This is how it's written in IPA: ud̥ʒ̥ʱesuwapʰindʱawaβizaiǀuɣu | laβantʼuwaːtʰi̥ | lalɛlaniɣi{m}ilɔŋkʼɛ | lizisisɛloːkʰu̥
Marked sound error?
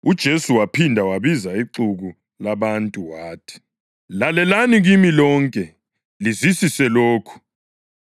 no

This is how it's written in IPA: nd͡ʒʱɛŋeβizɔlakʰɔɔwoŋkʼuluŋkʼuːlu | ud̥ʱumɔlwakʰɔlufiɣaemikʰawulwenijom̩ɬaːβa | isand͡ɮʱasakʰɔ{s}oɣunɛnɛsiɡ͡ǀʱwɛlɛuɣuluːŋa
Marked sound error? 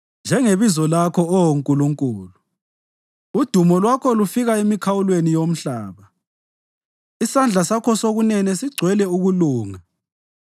no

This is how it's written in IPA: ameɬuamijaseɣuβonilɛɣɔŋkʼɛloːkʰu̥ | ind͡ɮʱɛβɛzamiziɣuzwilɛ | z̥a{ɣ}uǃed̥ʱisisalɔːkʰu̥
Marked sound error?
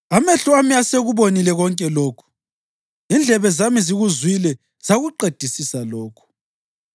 no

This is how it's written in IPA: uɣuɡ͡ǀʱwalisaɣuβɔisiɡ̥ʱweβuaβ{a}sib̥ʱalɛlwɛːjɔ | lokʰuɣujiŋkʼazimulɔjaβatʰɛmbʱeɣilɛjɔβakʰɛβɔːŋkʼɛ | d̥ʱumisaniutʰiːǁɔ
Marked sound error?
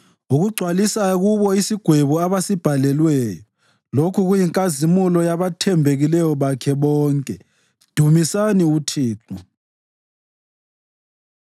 no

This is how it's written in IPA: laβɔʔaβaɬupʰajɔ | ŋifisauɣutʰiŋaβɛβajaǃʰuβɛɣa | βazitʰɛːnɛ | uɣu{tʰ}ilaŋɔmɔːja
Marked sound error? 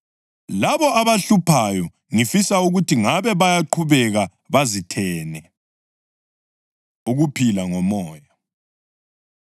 yes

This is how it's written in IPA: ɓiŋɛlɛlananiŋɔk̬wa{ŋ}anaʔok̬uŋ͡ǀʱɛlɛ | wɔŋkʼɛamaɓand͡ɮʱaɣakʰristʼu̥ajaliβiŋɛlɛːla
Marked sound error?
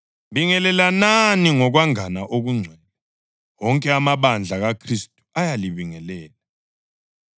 no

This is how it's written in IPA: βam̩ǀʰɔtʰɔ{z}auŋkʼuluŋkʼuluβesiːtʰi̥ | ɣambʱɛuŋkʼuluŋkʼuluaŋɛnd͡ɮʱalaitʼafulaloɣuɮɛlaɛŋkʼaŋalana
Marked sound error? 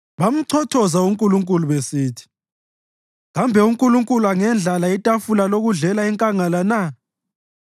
no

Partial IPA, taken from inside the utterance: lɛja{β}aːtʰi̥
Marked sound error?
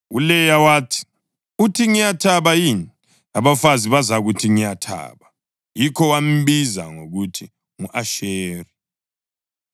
yes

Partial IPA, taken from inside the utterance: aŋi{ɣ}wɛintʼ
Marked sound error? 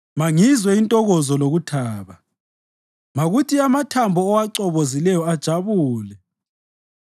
yes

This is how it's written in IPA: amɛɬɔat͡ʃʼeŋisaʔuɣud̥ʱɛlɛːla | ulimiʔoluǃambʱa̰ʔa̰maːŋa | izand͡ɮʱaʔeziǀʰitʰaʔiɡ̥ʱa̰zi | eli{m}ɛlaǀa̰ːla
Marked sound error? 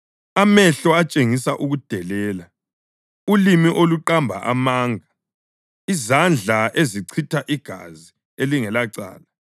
yes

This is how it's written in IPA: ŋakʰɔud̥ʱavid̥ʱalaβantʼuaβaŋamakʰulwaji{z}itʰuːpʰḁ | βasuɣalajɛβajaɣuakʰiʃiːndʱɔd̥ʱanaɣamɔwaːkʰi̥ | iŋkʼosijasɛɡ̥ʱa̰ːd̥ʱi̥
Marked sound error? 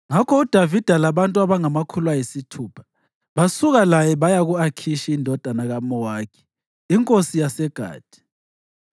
yes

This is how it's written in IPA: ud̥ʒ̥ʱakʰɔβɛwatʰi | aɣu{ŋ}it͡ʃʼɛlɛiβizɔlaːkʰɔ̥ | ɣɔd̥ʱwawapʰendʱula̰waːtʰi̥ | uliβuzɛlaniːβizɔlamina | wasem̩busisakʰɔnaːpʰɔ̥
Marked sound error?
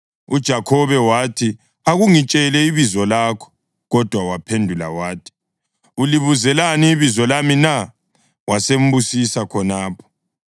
no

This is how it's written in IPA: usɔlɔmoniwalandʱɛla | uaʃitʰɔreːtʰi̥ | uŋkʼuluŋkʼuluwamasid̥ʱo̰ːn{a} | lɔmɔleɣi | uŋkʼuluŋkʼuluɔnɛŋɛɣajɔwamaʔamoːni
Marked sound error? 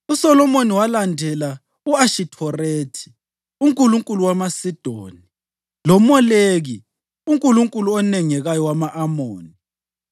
yes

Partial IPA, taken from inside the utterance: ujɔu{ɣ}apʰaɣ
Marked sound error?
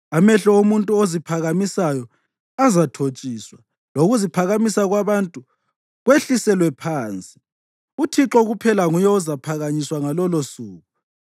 yes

